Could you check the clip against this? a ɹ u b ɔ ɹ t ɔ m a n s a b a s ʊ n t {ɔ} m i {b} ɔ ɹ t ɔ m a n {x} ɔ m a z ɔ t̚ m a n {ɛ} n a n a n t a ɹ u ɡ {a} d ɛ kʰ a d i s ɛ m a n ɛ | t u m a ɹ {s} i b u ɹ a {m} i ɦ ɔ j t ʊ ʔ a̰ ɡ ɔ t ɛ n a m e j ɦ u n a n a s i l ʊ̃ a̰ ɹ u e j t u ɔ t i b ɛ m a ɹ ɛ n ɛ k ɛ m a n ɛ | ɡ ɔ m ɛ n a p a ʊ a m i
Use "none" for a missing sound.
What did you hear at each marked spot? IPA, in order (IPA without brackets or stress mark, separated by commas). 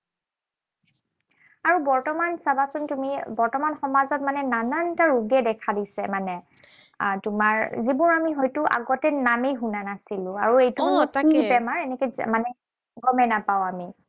u, b, x, ɛ, ɛ, z, m